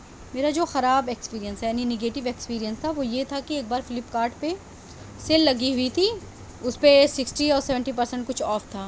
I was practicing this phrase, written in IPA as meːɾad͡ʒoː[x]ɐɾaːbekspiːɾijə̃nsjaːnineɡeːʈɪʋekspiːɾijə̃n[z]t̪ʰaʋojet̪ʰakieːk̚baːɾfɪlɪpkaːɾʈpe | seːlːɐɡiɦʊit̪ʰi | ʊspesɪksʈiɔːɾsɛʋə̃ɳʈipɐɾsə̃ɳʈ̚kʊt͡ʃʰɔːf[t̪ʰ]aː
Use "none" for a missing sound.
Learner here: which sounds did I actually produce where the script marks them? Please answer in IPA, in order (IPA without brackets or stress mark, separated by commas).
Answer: x, s, t̪ʰ